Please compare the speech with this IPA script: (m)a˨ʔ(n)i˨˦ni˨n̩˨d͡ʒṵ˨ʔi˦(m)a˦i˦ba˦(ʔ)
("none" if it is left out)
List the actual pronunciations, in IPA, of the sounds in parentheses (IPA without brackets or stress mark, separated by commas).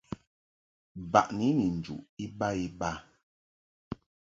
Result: b, n, b, none